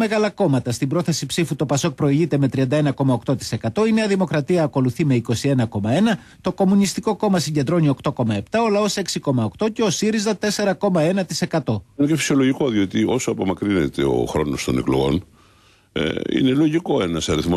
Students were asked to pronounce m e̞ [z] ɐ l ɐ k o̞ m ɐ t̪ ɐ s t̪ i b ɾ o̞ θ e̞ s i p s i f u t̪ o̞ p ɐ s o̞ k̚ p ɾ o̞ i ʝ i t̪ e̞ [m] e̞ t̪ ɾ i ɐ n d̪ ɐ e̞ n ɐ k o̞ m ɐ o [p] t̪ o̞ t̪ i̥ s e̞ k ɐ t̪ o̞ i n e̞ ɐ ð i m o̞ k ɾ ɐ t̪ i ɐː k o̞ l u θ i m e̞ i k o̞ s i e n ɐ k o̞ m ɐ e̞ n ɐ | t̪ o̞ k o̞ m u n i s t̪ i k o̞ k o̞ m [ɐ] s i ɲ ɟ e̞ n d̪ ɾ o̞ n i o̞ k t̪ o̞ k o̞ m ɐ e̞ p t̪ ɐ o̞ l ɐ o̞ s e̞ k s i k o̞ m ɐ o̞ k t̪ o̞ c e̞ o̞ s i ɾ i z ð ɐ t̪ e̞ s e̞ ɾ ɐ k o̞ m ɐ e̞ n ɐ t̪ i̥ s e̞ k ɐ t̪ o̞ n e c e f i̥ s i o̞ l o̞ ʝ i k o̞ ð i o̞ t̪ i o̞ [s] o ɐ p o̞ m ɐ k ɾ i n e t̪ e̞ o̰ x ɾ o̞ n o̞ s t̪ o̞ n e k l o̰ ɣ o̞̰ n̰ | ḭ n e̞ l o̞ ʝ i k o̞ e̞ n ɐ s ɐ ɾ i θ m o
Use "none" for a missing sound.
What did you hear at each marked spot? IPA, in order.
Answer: ɣ, m, k, ɐ, s

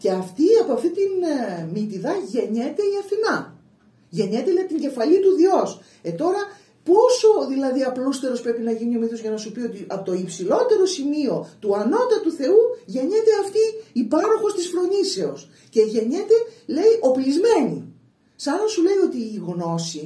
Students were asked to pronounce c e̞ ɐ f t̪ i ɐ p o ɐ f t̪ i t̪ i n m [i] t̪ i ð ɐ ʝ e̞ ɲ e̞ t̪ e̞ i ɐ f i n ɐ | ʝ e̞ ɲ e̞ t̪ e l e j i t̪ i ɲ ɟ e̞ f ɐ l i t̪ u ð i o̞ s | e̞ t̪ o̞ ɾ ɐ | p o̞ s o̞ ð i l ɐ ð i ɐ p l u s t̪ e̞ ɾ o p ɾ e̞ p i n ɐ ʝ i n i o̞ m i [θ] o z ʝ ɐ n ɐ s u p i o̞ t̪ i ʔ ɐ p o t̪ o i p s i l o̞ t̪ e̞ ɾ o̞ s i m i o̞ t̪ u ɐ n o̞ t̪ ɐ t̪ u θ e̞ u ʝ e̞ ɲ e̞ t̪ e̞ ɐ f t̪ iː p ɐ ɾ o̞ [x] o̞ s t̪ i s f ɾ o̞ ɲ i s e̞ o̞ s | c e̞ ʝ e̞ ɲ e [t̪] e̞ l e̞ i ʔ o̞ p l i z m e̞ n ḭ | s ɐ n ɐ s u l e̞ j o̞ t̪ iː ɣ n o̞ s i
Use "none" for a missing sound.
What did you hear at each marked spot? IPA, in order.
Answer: i, θ, x, t̪

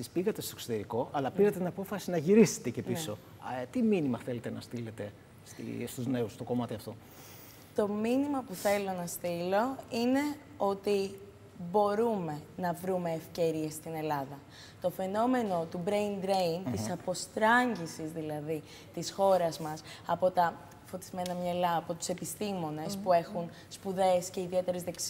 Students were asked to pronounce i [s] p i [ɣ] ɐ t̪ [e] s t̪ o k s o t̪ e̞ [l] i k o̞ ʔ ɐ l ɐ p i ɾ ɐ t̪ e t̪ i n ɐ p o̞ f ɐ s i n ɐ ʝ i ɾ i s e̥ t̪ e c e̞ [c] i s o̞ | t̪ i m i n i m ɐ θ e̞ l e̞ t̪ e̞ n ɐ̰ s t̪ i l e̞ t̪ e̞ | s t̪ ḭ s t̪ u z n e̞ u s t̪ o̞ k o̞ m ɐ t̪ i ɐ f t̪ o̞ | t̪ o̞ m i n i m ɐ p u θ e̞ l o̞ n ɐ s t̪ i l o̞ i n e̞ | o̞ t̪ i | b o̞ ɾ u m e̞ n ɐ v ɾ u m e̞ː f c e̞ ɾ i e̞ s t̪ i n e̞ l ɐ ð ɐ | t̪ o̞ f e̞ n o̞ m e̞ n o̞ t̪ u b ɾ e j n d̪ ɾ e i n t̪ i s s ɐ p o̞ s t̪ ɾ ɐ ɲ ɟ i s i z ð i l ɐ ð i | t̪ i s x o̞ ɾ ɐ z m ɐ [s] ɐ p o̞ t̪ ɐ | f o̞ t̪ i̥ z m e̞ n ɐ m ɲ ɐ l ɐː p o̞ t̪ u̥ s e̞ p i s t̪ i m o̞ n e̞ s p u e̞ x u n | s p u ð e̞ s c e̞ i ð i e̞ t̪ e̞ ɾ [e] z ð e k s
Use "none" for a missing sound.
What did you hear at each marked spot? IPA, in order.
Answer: s, ɣ, e, ɾ, p, s, e

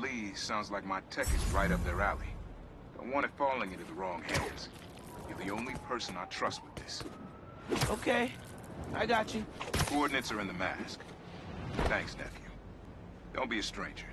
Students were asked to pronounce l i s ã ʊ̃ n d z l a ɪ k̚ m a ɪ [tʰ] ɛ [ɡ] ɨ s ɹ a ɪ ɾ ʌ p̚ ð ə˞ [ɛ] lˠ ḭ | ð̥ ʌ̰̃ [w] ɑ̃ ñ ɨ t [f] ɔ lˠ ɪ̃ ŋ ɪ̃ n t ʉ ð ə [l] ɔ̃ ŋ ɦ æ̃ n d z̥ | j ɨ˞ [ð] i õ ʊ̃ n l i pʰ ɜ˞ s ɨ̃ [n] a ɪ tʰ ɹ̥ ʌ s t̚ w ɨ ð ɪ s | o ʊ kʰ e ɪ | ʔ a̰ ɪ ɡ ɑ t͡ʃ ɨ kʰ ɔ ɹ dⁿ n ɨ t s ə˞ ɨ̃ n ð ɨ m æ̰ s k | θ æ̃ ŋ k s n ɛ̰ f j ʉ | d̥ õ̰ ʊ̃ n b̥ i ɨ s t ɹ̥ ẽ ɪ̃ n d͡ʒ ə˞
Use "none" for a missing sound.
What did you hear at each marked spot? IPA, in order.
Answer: tʰ, k, æ, w, f, ɹ, ð, n

